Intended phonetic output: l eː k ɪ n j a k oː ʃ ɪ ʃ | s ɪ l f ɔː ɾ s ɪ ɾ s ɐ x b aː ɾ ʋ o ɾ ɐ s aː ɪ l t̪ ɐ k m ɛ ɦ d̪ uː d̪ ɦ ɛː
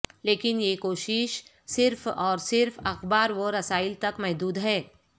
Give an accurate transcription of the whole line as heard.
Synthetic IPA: l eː k ɪ n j e k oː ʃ ɪ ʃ | s ɪ ɾ f ɔː ɾ s ɪ ɾ f ɐ x b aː ɾ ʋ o ɾ ɐ s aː ɪ l t̪ ɐ k m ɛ ɦ d̪ uː d̪ ɦ ɛː